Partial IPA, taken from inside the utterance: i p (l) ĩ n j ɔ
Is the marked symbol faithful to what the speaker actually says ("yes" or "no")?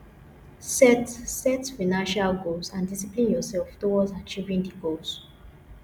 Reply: yes